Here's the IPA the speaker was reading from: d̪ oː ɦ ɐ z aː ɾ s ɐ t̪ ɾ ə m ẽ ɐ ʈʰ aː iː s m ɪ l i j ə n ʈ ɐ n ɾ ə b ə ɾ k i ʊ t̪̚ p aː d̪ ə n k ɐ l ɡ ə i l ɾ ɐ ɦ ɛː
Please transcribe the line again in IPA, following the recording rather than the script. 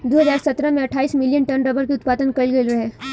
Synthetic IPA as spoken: d̪ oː ɦ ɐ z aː ɾ s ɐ t̪ ɾ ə m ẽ ɐ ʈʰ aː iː s m ɪ l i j ə n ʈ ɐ n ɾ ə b ə ɾ k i ʊ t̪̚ p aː d̪ ə n k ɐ l ɡ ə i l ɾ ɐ ɦ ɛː